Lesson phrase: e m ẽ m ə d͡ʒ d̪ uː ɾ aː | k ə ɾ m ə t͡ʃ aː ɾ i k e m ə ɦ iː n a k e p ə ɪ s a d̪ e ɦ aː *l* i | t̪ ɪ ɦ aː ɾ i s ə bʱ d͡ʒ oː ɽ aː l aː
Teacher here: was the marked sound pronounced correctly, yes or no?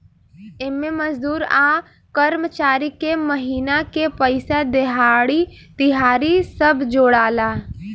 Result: no